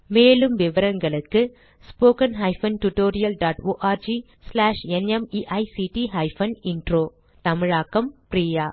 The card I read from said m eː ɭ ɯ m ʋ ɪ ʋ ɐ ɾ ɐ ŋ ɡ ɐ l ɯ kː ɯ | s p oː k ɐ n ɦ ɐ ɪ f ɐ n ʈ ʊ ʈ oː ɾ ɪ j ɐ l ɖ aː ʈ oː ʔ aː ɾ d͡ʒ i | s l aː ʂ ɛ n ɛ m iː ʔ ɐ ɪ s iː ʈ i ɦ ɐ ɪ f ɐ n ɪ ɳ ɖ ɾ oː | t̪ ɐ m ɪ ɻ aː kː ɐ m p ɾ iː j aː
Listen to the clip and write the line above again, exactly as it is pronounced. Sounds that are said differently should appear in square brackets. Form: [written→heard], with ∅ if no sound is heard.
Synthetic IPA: m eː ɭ ɯ m ʋ ɪ ʋ ɐ ɾ ɐ ŋ ɡ ɐ [l→ɭ] ɯ kː ɯ | s p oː k ɐ n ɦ ɐ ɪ f ɐ n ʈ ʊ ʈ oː ɾ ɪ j ɐ l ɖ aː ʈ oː ʔ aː ɾ d͡ʒ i | s l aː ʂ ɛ n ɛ m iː ʔ ɐ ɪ s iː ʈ i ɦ ɐ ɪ f ɐ n ɪ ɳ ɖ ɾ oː | t̪ ɐ m ɪ ɻ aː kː ɐ m p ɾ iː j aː